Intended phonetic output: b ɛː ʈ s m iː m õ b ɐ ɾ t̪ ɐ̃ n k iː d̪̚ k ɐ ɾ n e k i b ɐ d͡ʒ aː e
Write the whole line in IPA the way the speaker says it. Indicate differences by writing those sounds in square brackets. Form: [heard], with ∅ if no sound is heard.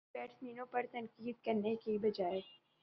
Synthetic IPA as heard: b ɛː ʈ s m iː [n] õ [p] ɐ ɾ t̪ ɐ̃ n k iː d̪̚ k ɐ ɾ n e k i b ɐ d͡ʒ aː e